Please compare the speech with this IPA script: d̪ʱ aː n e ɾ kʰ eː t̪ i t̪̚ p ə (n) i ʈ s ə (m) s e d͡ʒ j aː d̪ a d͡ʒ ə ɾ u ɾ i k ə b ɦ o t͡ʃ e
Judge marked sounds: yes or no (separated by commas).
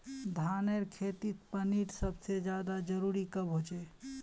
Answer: yes, no